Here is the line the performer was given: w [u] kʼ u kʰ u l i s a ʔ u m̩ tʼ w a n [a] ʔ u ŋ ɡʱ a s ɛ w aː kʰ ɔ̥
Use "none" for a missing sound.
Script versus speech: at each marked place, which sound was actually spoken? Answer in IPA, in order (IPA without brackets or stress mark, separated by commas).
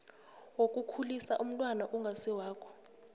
o, a